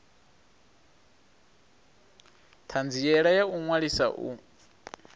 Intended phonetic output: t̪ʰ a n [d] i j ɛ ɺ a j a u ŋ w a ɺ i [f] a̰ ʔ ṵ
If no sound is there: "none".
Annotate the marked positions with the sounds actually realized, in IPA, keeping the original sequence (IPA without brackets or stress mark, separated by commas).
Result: d͡z, s